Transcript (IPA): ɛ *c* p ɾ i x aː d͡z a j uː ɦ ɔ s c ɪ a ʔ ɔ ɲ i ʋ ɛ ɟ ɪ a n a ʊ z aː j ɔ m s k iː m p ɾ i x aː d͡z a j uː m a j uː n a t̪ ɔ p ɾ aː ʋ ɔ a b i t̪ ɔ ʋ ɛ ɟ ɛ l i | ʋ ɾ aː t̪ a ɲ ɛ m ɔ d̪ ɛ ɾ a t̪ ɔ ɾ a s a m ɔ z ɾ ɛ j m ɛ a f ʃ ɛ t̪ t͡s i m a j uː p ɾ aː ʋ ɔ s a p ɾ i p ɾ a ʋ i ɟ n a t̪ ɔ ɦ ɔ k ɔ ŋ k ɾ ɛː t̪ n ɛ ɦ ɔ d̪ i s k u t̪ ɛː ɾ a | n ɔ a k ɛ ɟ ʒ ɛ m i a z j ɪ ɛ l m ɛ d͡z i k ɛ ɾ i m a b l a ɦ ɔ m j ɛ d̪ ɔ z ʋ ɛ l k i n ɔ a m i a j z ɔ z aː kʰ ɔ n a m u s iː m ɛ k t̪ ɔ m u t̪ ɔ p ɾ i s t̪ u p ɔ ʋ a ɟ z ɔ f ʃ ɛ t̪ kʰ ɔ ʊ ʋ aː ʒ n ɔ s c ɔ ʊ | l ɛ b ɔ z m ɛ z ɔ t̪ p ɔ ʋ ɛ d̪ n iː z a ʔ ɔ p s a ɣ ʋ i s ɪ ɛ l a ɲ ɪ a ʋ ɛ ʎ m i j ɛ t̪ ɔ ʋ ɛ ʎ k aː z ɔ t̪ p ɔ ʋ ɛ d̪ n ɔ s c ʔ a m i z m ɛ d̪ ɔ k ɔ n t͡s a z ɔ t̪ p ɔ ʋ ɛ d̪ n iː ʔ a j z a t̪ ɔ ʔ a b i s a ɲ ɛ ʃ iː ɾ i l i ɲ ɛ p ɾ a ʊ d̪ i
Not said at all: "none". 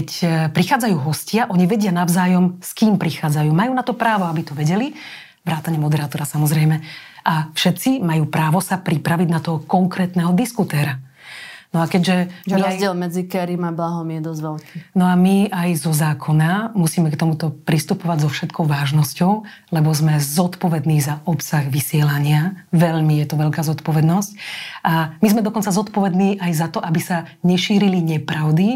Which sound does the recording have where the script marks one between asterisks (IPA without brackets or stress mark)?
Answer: c